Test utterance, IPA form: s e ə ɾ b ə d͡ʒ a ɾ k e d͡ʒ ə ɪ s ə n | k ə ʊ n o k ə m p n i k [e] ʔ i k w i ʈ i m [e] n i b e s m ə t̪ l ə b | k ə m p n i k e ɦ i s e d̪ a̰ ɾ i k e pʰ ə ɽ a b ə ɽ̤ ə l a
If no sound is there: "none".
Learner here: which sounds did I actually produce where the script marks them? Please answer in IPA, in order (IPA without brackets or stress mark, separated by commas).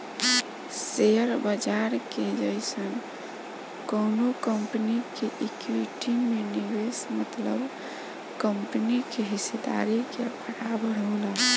e, e